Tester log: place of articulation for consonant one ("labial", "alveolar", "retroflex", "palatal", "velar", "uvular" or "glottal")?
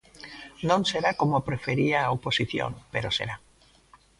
alveolar